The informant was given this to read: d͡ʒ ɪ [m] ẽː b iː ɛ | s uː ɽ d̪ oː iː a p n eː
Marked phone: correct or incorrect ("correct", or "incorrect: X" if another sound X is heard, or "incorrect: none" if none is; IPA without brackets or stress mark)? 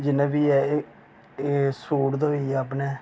incorrect: n